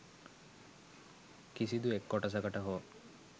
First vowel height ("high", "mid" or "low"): high